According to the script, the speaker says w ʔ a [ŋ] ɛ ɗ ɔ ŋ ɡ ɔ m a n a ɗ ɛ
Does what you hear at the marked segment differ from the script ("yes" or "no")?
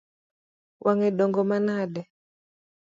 no